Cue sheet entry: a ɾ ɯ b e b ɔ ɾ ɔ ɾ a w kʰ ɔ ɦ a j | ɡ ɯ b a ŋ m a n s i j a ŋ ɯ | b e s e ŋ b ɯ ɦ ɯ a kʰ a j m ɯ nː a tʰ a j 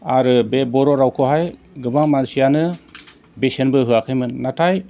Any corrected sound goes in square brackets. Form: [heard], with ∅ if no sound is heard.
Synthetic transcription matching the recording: a ɾ ɯ b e b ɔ ɾ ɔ ɾ a w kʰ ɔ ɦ a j | ɡ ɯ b a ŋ m a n s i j a [n] ɯ | b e s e [n] b ɯ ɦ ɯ a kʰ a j m ɯ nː a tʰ a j